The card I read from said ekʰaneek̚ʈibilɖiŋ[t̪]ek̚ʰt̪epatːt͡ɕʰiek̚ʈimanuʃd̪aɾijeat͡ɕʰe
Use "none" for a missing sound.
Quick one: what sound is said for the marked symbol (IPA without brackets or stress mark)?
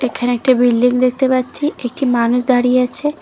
d̪